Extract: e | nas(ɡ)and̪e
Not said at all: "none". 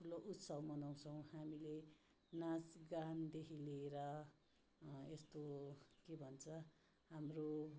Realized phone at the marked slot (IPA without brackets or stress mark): ɡ